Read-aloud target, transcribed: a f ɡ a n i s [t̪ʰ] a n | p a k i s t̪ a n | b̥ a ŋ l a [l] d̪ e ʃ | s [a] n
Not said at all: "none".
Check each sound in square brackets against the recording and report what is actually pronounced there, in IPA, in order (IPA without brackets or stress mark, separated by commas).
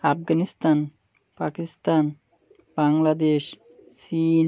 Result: t̪, none, i